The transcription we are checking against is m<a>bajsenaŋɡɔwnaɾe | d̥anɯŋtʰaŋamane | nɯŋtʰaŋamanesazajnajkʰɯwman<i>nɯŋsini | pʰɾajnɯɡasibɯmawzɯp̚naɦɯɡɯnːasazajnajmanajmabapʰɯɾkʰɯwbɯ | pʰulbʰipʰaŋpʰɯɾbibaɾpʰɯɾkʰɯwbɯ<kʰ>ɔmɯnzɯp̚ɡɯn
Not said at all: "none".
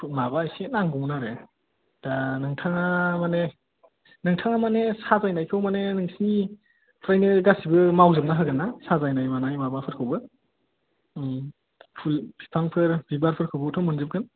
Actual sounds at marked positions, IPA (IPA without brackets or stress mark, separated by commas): a, e, tʰ